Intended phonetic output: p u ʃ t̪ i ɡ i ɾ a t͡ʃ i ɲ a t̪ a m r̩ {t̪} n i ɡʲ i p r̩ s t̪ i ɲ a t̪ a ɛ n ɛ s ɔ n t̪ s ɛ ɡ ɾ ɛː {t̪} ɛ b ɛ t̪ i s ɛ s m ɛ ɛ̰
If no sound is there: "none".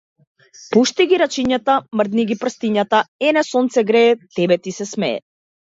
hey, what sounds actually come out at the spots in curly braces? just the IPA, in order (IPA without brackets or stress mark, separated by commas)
d̪, t̪